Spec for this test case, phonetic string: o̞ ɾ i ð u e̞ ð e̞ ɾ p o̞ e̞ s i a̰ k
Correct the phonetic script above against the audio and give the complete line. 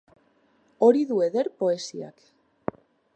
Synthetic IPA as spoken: o̞ ɾ i ð u e̞ ð e̞ ɾ p o̞ e̞ s i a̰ k